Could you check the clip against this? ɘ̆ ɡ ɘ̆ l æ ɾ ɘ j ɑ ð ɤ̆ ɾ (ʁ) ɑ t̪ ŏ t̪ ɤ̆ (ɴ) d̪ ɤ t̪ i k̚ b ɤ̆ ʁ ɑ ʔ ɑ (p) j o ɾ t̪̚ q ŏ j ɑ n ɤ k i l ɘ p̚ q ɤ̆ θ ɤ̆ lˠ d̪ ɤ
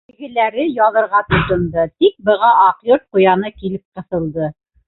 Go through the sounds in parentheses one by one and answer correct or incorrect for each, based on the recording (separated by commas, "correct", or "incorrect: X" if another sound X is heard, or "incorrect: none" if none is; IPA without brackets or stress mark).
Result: correct, incorrect: n, incorrect: q